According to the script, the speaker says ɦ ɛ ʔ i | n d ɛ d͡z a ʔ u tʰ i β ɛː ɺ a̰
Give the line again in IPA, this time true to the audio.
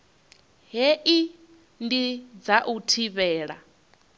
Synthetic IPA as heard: ɦ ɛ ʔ i | n d i d͡z a ʔ u tʰ i β ɛː ɺ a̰